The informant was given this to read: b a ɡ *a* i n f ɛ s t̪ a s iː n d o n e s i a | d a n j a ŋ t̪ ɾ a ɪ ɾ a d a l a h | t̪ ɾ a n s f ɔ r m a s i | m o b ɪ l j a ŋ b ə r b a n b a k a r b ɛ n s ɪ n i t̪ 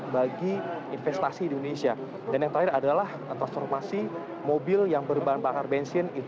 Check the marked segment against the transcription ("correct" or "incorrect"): incorrect